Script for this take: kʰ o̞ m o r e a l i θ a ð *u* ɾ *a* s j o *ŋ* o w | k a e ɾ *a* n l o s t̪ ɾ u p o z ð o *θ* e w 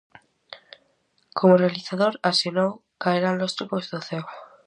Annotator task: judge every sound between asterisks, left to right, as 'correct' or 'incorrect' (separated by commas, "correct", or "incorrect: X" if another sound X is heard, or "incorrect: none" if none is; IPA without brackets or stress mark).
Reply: incorrect: o, correct, incorrect: n, correct, correct